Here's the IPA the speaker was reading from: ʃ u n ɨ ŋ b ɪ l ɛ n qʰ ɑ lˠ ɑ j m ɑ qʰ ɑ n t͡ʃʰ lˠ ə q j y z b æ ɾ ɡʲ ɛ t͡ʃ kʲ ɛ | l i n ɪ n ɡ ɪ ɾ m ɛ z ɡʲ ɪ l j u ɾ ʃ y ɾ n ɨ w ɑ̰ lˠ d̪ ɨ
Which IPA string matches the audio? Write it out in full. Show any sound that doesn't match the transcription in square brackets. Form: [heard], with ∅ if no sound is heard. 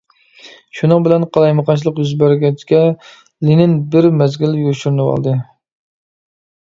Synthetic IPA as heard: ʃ u n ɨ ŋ b ɪ l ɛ n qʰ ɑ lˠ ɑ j m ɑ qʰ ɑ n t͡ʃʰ lˠ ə q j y z b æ ɾ ɡʲ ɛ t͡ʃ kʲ ɛ | l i n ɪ n [b] ɪ ɾ m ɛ z ɡʲ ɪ l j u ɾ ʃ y ɾ n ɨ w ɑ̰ lˠ d̪ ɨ